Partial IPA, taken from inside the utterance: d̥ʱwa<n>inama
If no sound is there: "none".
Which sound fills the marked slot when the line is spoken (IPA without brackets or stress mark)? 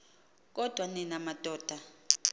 n